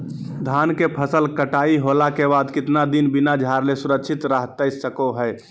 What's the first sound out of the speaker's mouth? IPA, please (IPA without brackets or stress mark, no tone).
d̪ʱ